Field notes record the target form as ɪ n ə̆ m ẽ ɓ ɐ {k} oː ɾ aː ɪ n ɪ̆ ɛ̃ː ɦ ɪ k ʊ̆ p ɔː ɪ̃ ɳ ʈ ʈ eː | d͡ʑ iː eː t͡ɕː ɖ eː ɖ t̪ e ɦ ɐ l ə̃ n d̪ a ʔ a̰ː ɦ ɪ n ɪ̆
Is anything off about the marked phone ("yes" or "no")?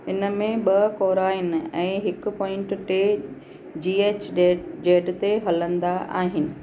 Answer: no